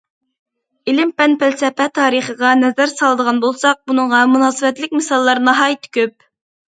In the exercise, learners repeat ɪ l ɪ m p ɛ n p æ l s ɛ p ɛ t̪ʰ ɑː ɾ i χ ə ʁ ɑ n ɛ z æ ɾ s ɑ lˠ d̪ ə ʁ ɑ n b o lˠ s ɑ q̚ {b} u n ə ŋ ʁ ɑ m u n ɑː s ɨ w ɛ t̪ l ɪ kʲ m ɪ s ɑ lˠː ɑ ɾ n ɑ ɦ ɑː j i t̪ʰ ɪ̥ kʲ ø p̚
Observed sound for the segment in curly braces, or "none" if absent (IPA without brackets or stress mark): b